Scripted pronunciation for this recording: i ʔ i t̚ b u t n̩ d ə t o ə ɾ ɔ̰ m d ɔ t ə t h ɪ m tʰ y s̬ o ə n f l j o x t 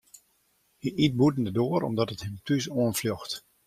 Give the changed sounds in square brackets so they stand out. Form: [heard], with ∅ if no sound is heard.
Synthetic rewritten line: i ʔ i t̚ b u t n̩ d ə [d] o ə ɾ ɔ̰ m d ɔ t ə t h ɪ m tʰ y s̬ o ə n f l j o x t